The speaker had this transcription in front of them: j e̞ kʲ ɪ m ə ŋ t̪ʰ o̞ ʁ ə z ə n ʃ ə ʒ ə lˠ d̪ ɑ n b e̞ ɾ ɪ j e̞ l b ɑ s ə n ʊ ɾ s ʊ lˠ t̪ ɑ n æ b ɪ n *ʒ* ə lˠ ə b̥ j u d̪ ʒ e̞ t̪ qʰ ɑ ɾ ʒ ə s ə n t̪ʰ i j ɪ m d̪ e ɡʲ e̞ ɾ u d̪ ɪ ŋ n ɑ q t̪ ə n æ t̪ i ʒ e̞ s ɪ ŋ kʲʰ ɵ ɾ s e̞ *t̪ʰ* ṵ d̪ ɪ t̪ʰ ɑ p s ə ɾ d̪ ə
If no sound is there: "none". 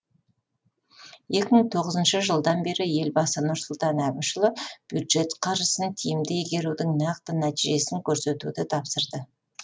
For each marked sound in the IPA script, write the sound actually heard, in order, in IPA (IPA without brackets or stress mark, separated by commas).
ʃ, t̪